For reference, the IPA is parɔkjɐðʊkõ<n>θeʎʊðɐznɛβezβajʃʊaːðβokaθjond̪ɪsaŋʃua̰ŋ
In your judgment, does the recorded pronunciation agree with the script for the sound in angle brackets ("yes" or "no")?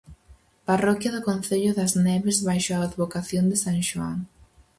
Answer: yes